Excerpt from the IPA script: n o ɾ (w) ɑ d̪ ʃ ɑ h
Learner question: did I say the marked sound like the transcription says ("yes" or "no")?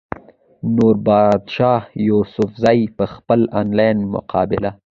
no